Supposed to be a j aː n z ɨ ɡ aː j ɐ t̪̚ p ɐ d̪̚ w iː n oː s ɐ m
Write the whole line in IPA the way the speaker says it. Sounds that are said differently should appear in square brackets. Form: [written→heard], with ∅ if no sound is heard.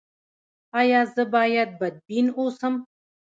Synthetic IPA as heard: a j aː [n→∅] z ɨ [ɡ→b] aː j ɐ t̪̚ [p→b] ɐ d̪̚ [w→b] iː n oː s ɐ m